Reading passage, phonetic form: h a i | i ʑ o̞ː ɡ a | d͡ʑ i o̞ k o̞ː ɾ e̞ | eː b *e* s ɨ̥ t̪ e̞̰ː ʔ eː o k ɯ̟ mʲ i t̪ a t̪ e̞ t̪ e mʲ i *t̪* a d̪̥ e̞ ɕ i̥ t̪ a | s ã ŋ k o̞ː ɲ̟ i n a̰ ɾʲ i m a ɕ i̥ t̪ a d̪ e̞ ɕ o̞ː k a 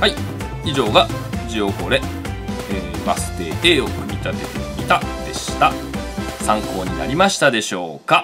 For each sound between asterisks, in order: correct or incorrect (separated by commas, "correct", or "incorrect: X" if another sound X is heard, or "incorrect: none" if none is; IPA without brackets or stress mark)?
incorrect: a, correct